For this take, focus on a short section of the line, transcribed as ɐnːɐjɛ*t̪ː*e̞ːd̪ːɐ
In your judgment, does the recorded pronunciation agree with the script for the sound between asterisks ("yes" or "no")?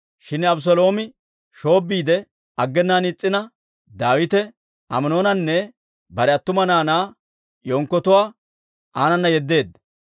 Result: no